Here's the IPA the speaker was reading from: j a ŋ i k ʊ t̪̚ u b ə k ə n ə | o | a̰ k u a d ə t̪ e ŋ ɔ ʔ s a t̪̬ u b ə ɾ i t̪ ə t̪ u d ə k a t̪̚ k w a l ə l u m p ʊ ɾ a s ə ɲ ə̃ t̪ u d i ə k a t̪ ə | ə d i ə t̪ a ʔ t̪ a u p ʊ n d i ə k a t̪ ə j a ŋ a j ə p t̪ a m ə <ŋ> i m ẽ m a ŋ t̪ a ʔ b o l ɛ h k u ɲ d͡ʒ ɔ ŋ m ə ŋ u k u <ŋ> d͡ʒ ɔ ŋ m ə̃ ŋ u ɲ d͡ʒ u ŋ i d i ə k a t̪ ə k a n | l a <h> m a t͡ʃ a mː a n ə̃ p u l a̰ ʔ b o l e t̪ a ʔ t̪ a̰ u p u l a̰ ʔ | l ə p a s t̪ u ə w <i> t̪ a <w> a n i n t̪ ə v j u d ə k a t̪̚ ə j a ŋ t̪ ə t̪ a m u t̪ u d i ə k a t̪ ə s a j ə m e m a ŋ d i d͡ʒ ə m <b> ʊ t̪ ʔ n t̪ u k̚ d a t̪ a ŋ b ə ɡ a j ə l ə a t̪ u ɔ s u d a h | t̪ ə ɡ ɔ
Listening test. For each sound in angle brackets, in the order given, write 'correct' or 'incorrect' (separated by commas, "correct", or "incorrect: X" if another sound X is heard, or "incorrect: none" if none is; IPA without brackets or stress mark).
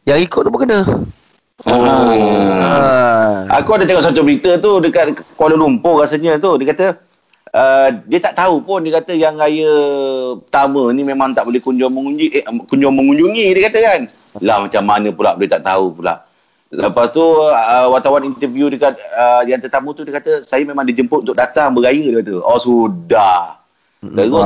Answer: incorrect: n, incorrect: ɲ, correct, incorrect: a, correct, incorrect: p